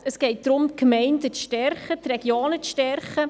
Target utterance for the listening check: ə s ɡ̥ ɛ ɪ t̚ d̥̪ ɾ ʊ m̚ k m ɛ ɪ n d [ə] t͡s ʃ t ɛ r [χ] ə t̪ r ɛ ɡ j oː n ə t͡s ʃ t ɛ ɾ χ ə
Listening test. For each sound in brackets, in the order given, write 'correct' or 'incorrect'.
correct, correct

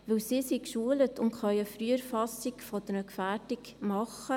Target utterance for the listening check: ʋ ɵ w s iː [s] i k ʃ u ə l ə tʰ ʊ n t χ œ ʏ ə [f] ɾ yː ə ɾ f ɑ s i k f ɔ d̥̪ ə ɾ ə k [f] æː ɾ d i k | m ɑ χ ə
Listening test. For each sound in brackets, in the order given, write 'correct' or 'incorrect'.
correct, correct, correct

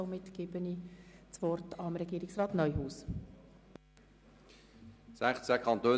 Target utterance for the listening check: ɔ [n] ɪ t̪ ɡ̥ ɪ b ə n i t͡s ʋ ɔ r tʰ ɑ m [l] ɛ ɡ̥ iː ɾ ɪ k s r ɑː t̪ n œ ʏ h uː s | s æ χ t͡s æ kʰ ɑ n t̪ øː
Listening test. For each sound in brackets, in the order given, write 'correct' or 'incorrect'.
incorrect, incorrect

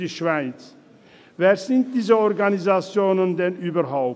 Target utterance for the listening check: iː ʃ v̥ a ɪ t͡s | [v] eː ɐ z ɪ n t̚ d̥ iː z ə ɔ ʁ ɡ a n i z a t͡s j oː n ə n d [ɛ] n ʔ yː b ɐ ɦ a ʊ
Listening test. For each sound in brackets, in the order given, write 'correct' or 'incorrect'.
correct, correct

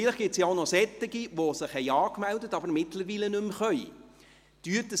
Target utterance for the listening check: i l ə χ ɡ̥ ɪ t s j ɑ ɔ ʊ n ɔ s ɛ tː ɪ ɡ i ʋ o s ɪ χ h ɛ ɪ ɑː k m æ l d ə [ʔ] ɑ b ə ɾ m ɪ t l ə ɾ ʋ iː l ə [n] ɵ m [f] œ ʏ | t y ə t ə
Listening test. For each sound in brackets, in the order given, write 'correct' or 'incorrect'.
incorrect, correct, incorrect

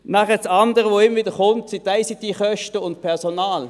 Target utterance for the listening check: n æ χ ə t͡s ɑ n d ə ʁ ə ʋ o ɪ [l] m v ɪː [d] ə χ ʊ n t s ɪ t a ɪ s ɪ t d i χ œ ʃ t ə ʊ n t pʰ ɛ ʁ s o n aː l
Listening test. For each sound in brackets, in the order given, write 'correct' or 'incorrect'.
incorrect, correct

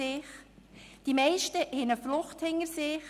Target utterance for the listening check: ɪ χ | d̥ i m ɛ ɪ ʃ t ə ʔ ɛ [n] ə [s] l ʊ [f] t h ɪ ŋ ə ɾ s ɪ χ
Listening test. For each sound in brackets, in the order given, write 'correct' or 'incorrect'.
correct, incorrect, incorrect

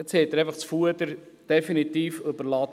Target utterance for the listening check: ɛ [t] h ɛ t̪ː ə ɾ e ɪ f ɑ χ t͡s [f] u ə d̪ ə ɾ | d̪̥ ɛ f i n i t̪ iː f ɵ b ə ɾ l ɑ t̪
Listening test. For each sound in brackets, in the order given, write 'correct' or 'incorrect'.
incorrect, correct

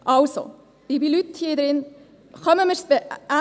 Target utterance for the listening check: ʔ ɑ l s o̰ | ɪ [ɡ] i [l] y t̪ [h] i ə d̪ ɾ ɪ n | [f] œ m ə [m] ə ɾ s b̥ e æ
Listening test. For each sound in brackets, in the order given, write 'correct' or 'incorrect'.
incorrect, correct, correct, incorrect, correct

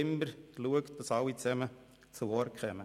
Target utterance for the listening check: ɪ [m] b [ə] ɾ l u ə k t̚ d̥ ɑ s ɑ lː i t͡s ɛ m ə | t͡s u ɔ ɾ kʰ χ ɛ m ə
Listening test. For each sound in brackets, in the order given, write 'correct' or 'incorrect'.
correct, correct

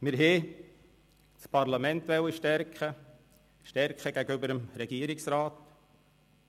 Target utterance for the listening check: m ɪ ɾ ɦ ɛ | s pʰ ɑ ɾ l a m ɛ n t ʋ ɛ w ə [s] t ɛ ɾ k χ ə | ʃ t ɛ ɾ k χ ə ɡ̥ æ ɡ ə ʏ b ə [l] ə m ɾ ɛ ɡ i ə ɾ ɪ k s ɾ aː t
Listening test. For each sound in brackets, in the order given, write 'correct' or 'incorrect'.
incorrect, incorrect

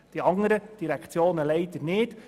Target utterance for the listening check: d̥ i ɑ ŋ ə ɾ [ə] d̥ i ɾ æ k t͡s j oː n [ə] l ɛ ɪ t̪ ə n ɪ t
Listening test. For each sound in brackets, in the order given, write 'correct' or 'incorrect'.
correct, correct

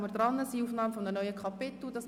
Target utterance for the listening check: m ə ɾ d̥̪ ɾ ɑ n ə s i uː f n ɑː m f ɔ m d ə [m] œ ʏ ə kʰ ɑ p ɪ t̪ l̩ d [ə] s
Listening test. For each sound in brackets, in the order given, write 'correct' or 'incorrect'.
incorrect, incorrect

